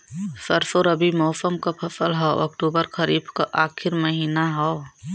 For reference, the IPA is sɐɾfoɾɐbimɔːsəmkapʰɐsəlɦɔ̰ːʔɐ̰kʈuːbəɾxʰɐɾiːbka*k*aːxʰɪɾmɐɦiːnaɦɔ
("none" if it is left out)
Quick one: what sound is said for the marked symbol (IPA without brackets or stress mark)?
ʔ